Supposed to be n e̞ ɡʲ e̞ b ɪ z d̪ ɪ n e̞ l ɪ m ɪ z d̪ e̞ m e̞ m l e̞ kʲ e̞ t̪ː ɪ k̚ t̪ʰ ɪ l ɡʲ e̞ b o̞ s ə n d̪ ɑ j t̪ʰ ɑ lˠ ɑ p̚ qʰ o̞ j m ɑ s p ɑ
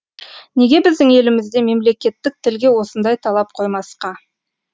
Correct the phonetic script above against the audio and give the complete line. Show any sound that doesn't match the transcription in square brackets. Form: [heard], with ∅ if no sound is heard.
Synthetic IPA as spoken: n e̞ ɡʲ e̞ b ɪ z d̪ ɪ [ŋ] e̞ l ɪ m ɪ z d̪ e̞ m e̞ m l e̞ kʲ e̞ t̪ː ɪ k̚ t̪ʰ ɪ l ɡʲ e̞ [w] o̞ s ə n d̪ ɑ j t̪ʰ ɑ lˠ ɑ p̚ qʰ o̞ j m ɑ s [q] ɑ